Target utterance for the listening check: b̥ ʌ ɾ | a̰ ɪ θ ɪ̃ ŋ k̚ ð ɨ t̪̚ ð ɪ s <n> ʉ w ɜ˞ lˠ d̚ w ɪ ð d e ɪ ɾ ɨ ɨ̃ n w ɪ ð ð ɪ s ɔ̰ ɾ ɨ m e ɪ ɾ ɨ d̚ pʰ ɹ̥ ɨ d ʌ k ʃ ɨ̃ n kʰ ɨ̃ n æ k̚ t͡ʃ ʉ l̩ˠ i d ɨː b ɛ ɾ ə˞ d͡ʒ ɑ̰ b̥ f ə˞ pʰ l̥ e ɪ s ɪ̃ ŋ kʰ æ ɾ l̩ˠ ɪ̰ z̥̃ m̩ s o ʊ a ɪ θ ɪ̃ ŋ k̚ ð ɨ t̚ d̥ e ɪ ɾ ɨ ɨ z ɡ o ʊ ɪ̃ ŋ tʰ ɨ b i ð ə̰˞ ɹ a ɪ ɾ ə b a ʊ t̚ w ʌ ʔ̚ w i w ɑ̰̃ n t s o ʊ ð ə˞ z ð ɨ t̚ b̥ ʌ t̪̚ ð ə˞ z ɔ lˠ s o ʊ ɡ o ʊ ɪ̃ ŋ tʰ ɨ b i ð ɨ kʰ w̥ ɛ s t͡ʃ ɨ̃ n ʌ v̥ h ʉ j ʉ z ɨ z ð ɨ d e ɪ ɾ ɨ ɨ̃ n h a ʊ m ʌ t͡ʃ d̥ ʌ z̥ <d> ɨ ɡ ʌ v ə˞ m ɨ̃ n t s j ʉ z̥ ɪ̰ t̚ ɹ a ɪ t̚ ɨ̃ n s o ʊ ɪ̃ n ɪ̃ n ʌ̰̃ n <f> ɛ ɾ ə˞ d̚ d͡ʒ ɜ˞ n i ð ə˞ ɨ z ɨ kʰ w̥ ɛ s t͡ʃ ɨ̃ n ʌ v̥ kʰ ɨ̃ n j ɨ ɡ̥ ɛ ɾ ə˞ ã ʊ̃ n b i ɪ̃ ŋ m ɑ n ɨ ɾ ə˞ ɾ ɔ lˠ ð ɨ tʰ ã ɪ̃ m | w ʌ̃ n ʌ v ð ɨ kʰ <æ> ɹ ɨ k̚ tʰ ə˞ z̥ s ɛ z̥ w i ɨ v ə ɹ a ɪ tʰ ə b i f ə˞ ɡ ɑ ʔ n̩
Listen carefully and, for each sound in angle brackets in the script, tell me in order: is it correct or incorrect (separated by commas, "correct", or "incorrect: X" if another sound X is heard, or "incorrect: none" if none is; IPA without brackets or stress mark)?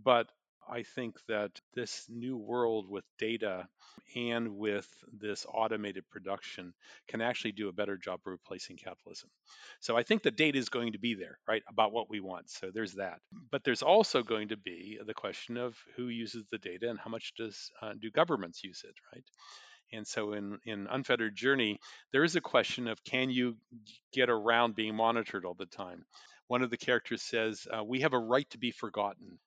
correct, correct, correct, incorrect: ɛ